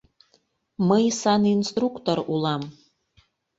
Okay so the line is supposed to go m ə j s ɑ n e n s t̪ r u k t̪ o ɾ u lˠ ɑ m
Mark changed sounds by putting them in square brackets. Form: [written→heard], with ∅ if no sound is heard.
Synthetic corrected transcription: m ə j s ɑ n [e→i] n s t̪ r u k t̪ o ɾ u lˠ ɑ m